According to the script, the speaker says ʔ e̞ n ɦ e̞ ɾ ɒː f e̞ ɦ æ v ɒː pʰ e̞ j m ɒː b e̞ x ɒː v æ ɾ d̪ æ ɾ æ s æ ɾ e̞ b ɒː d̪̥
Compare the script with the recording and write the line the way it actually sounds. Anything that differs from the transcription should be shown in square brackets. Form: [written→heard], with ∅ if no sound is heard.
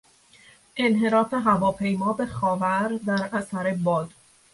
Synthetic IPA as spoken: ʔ e̞ n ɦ e̞ ɾ ɒː f e̞ ɦ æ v ɒː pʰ e̞ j m ɒː b e̞ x ɒː v æ ɾ d̪ æ ɾ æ s æ ɾ e̞ b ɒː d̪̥